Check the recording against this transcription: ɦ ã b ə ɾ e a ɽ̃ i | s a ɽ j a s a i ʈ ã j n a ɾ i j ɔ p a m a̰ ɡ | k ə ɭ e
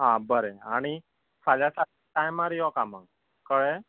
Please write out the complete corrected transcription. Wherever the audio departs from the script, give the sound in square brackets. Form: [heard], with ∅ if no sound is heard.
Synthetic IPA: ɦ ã b ə ɾ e a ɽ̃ i | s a [l] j a s a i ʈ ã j [m] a ɾ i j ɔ [k] a m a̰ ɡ | k ə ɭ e